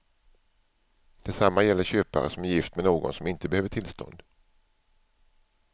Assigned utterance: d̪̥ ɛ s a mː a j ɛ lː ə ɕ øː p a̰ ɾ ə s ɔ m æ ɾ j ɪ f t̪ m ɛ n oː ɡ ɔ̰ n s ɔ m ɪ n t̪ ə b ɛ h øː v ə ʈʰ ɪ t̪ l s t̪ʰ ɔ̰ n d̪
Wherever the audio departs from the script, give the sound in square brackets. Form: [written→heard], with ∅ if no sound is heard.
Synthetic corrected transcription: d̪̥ ɛ s a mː a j ɛ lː ə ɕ øː p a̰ ɾ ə s ɔ m æ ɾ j ɪ f t̪ m ɛ n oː ɡ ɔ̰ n s ɔ m ɪ n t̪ ə b ɛ h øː v ə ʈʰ ɪ [t̪→∅] l s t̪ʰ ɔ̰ n d̪